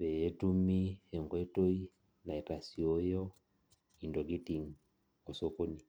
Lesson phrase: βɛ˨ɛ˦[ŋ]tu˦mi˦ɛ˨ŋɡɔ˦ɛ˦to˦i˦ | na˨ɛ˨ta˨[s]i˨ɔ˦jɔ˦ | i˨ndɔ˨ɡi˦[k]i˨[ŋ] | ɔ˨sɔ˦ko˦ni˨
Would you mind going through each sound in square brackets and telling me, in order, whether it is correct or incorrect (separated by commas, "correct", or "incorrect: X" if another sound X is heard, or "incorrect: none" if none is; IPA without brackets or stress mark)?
incorrect: none, correct, incorrect: t, correct